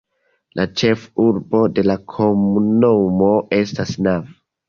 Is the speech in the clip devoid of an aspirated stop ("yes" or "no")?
no